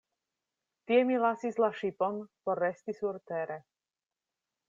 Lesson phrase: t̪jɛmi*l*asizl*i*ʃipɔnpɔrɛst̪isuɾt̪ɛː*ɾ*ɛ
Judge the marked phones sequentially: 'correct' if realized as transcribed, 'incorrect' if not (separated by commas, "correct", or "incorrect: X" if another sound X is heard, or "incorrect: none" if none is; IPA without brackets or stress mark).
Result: correct, incorrect: a, correct